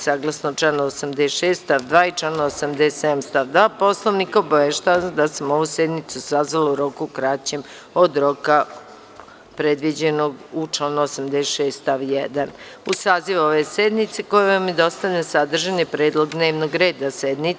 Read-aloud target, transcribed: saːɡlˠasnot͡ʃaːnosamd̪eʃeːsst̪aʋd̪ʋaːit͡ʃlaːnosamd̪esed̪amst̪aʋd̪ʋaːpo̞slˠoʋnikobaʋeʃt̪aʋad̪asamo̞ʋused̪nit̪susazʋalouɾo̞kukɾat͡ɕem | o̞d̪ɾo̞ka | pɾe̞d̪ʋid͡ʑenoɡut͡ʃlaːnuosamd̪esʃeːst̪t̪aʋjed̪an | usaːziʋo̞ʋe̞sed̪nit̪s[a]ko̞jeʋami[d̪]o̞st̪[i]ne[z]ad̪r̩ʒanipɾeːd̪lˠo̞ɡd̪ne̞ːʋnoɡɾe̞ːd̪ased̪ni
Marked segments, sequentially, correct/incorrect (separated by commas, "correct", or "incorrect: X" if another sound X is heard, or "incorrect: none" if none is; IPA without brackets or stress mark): incorrect: e, correct, incorrect: a, incorrect: s